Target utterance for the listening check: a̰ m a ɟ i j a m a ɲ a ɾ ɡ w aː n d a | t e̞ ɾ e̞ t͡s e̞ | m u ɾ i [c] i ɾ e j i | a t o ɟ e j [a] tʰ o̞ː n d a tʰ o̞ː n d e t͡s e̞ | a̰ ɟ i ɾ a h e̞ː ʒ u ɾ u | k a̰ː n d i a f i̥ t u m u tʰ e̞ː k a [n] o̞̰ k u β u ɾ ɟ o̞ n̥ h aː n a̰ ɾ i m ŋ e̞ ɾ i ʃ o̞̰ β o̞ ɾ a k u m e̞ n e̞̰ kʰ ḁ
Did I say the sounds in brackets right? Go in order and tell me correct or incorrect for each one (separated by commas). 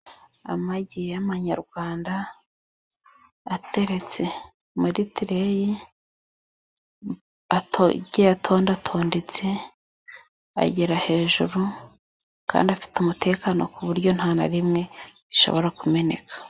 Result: incorrect, correct, correct